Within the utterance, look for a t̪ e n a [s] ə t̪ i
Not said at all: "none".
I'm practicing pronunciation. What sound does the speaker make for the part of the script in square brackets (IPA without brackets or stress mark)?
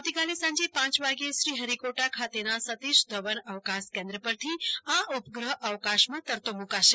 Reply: s